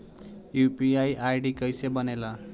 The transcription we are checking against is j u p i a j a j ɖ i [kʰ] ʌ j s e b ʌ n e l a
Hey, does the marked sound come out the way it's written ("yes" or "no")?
no